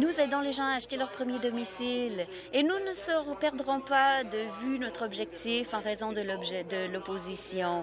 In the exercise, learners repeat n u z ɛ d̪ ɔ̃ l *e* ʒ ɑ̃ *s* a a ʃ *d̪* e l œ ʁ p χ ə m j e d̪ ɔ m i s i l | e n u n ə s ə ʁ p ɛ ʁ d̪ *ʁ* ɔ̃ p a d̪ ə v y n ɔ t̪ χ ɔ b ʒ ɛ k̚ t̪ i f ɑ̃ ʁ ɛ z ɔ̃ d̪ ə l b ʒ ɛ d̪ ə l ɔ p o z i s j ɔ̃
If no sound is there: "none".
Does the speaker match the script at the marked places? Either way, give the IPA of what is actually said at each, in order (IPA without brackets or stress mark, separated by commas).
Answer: e, none, t̪, ʁ